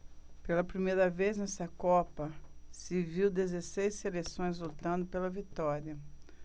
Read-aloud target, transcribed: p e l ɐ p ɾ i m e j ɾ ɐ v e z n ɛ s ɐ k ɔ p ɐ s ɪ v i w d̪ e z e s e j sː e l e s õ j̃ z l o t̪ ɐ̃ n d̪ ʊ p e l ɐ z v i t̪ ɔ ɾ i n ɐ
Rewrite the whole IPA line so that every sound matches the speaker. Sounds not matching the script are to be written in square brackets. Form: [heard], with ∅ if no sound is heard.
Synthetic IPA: p e l ɐ p ɾ i m e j ɾ ɐ v e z n ɛ s ɐ k ɔ p ɐ s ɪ v i w d̪ e z e s e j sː e l e s õ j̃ z l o t̪ ɐ̃ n d̪ ʊ p e l ɐ [∅] v i t̪ ɔ ɾ i [∅] ɐ